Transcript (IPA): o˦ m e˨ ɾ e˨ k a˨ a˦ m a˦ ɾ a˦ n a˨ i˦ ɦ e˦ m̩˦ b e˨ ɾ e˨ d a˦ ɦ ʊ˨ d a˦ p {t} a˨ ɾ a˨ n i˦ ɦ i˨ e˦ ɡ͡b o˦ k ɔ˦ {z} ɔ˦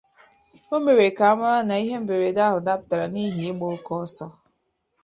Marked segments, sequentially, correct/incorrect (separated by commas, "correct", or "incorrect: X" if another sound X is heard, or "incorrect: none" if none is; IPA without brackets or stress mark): correct, incorrect: s